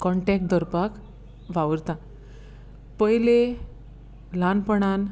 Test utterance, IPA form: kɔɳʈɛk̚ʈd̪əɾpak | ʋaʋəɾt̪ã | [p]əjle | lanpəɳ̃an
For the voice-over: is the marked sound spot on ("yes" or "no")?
yes